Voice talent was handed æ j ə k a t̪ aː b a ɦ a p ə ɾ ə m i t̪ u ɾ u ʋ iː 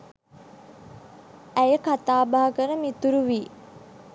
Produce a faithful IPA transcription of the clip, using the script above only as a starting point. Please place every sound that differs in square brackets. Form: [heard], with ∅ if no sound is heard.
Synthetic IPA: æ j ə k a t̪ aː b a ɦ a [k] ə ɾ ə m i t̪ u ɾ u ʋ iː